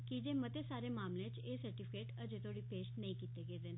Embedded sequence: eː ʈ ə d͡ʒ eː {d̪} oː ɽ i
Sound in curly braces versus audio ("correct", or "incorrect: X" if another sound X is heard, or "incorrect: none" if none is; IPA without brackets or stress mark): incorrect: t̪